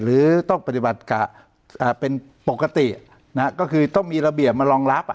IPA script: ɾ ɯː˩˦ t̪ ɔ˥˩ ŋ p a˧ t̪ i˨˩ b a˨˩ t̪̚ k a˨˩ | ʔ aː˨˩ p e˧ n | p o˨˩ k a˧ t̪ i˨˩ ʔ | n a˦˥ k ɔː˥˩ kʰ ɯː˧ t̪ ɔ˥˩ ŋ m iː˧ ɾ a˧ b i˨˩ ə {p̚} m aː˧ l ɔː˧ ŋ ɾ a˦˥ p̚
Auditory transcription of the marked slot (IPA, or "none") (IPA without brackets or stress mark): p̚